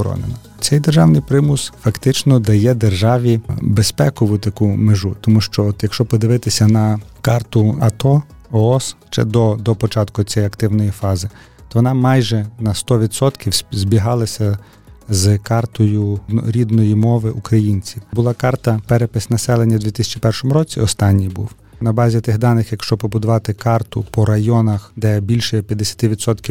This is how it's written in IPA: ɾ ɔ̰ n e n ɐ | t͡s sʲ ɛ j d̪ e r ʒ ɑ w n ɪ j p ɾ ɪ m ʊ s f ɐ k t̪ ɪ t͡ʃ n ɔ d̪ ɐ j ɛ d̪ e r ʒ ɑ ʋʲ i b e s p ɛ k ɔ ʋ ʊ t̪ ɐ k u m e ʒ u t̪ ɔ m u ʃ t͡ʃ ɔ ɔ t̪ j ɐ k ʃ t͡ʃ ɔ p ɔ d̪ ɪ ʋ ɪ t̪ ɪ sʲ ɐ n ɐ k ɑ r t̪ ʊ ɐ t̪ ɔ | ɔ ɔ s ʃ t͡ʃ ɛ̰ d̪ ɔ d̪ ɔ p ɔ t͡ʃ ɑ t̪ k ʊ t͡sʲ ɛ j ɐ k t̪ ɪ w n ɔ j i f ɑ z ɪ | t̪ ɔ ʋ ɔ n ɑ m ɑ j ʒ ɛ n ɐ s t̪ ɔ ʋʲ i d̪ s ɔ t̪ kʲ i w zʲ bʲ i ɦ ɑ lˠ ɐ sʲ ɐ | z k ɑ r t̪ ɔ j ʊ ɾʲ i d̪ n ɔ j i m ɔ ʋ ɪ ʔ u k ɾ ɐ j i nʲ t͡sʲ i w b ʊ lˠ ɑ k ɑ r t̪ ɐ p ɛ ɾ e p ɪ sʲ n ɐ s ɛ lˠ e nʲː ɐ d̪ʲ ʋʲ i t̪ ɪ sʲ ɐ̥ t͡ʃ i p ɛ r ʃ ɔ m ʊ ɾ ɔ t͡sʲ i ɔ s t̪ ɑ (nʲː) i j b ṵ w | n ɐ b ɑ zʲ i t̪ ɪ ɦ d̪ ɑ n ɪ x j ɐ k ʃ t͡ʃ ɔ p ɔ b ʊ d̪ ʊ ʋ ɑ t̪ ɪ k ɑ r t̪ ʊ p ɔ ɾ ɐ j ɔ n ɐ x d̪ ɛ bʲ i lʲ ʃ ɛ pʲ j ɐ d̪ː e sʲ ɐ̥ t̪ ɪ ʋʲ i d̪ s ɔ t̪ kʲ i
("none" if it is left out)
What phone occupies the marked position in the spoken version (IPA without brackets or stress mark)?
nʲː